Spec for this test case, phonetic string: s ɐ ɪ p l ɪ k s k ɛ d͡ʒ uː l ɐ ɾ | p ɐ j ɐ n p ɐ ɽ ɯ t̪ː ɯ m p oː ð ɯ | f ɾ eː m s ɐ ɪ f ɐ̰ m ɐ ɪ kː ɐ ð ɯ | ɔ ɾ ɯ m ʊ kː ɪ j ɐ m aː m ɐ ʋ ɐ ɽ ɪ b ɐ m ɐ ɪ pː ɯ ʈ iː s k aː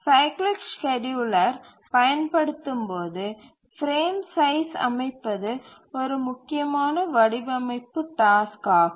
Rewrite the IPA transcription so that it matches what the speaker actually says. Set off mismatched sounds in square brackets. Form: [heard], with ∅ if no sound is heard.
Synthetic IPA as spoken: s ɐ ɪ [k] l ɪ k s k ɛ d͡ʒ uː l ɐ ɾ | p ɐ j ɐ n p ɐ ɽ ɯ t̪ː ɯ m p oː ð ɯ | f ɾ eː m s ɐ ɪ [s] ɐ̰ m ɐ ɪ [pː] ɐ ð ɯ | ɔ ɾ ɯ m ʊ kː ɪ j ɐ m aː [n] ɐ ʋ ɐ ɽ ɪ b ɐ m ɐ ɪ pː ɯ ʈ [aː] s k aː